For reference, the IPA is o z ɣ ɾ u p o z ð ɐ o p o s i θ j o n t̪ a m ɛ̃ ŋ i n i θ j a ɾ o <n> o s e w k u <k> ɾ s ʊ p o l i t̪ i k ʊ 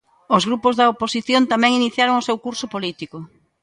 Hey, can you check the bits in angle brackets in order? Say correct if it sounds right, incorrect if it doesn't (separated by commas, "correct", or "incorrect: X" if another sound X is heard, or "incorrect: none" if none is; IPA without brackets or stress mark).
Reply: incorrect: ŋ, incorrect: none